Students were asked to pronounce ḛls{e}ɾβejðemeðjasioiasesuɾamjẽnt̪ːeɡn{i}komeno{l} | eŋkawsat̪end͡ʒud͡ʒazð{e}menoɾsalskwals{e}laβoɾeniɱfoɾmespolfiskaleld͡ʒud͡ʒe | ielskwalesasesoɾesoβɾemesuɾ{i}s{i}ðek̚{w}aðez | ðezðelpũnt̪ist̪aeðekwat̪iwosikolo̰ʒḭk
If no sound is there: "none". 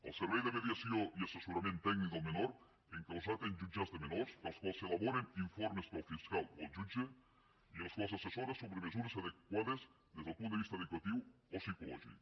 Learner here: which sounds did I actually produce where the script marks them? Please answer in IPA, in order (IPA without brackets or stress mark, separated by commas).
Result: e, i, ɾ, e, e, e, a, w